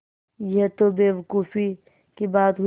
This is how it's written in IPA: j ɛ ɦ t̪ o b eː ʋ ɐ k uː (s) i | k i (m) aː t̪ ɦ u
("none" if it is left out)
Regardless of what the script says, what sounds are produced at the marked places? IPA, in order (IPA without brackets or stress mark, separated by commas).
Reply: f, b